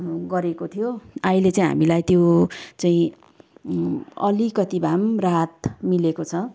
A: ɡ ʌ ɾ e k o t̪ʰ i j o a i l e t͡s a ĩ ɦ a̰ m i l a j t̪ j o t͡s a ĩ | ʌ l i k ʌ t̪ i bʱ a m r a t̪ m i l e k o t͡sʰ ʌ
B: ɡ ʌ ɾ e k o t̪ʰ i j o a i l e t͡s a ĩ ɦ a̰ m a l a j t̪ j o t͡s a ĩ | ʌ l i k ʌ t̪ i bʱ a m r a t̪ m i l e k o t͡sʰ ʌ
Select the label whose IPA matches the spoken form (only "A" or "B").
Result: A